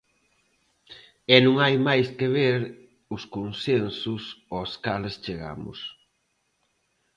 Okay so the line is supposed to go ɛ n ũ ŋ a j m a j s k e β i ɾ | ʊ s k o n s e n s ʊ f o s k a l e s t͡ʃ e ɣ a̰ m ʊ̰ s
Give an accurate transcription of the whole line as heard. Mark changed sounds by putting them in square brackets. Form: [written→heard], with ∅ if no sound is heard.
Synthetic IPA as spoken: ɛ n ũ ŋ a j m a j s k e β [i→e] ɾ | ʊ s k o n s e n s ʊ [f→s] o s k a l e s t͡ʃ e ɣ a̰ m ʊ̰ s